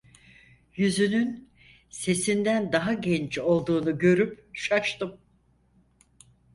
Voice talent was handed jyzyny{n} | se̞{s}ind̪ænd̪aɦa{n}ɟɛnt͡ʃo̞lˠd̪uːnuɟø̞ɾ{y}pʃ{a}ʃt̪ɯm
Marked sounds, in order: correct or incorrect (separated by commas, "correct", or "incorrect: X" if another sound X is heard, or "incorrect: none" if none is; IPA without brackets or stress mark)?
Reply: correct, correct, incorrect: none, correct, correct